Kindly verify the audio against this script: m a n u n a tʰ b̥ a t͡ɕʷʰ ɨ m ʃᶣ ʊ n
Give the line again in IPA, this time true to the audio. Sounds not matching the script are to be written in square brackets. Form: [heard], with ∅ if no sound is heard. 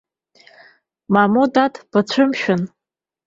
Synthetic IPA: m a [m] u [d] a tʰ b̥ a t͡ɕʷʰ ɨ m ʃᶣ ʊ n